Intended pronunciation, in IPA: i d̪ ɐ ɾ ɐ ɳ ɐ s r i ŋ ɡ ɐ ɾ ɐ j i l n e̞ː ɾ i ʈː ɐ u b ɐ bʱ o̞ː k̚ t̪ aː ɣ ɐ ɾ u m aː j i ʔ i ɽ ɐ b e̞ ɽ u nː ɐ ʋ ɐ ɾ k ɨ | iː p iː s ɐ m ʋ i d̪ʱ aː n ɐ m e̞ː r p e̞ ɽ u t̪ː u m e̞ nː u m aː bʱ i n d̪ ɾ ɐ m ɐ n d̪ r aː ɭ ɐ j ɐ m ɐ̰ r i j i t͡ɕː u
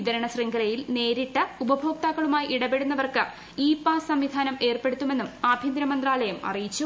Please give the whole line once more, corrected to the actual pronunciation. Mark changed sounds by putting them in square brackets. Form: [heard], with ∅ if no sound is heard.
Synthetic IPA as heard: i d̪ ɐ ɾ ɐ ɳ ɐ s r i ŋ ɡ ɐ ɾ ɐ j i l n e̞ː ɾ i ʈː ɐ u b ɐ bʱ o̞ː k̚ t̪ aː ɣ ɐ [ɭ] u m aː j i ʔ i ɽ ɐ b e̞ ɽ u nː ɐ ʋ ɐ [r] k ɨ | iː p [aː] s ɐ m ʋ i d̪ʱ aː n ɐ m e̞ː r p e̞ ɽ u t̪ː u m e̞ nː u m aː bʱ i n d̪ ɾ ɐ m ɐ n d̪ r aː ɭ ɐ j ɐ m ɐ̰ r i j i t͡ɕː u

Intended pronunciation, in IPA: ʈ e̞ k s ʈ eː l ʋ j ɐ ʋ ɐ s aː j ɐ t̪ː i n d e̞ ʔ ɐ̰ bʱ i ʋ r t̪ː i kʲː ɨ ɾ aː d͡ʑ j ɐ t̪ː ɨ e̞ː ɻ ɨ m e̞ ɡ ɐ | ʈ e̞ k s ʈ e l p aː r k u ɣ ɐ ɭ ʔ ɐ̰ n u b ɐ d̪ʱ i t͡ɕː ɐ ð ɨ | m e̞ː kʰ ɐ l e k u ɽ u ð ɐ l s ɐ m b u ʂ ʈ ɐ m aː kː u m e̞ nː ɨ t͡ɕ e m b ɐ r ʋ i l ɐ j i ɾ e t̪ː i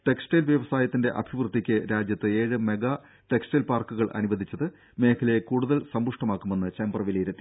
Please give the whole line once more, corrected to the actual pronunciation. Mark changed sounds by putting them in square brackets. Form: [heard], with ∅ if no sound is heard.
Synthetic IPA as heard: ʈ e̞ k s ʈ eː l ʋ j ɐ ʋ ɐ s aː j ɐ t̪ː i n d e̞ ʔ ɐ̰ bʱ i ʋ r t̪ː i kʲː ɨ ɾ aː d͡ʑ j ɐ t̪ː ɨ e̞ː ɻ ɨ m e̞ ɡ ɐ | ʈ e̞ k s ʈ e l p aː r k u ɣ ɐ ɭ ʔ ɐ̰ n u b ɐ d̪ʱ i t͡ɕː ɐ ð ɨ | m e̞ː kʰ ɐ l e k [uː] ɽ u ð ɐ l s ɐ m b u ʂ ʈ ɐ m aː kː u m e̞ nː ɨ t͡ɕ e m b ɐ r ʋ i l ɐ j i ɾ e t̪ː i

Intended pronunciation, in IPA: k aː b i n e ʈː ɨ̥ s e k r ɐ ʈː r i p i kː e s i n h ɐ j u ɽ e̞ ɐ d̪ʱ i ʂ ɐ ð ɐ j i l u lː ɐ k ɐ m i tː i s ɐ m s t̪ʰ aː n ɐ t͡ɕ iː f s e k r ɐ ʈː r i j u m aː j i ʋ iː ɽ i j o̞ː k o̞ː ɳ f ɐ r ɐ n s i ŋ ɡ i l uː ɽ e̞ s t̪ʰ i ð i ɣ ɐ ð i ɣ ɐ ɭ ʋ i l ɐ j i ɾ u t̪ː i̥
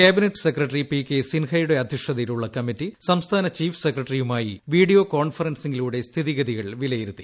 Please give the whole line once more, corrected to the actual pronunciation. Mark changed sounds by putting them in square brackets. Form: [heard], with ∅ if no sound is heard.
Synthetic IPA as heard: k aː b i n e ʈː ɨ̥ s e k r ɐ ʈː r i p i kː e s i n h ɐ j u ɽ e̞ ɐ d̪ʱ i ʂ ɐ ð ɐ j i l u [ɭː] ɐ k ɐ m i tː i s ɐ m s t̪ʰ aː n ɐ t͡ɕ iː f s e k r ɐ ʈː r i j u m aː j i ʋ iː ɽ i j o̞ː k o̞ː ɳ f ɐ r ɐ n s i ŋ ɡ i l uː ɽ e̞ s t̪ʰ i ð i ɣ ɐ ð i ɣ ɐ ɭ ʋ i l ɐ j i ɾ u t̪ː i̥

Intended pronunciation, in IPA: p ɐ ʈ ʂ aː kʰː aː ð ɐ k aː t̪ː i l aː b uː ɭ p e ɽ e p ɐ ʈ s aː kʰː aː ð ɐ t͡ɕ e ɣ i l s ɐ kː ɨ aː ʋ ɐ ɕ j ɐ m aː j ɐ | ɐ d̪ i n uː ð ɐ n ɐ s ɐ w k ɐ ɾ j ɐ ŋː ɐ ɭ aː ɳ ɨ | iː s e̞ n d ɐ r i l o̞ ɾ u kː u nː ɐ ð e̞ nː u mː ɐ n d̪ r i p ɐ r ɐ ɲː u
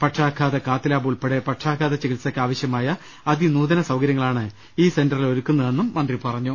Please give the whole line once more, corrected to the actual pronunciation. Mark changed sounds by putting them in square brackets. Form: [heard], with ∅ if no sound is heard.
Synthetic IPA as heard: p ɐ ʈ ʂ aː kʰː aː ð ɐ k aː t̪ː i l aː b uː ɭ p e ɽ e p ɐ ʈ [ʂ] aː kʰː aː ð ɐ t͡ɕ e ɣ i l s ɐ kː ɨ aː ʋ ɐ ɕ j ɐ m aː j ɐ | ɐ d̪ i n uː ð ɐ n ɐ s ɐ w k ɐ ɾ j ɐ ŋː ɐ ɭ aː ɳ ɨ | iː s e̞ n d ɐ r i l o̞ ɾ u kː u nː ɐ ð e̞ nː u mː ɐ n d̪ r i p ɐ r ɐ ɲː u

